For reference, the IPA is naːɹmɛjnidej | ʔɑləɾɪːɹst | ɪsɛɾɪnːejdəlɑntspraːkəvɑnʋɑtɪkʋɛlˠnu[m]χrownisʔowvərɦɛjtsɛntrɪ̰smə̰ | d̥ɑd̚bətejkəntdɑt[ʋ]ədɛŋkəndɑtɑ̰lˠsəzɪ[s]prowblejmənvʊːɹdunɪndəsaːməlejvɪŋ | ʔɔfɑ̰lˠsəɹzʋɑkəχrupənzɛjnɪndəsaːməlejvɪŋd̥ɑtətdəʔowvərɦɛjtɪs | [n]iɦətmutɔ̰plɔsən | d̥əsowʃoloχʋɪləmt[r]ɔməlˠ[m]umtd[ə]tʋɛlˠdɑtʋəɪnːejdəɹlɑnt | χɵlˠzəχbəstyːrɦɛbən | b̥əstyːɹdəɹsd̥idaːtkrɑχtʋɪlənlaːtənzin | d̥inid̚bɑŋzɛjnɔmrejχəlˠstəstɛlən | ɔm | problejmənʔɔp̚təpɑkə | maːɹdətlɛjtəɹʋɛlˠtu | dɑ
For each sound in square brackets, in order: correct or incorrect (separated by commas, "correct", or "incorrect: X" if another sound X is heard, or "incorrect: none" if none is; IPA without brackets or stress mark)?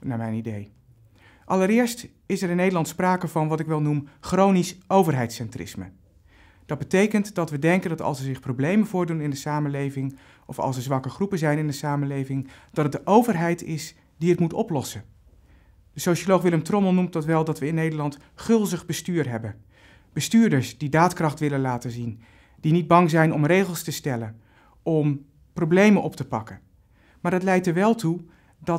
correct, correct, incorrect: χ, incorrect: d, correct, incorrect: n, incorrect: ɑ